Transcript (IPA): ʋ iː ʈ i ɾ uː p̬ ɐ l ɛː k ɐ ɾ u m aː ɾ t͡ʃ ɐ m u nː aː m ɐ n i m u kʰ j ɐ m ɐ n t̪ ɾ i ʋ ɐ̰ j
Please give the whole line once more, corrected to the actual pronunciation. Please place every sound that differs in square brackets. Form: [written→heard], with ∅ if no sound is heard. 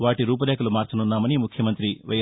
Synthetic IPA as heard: ʋ [iː→aː] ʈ i ɾ uː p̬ ɐ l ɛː k ɐ [ɾ→l] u m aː ɾ t͡ʃ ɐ [m→n] u nː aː m ɐ n i m u kʰ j ɐ m ɐ n t̪ ɾ i ʋ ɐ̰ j